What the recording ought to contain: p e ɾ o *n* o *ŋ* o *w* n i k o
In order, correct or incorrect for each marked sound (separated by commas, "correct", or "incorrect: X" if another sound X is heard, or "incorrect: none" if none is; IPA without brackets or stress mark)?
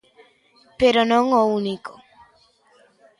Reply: correct, correct, incorrect: u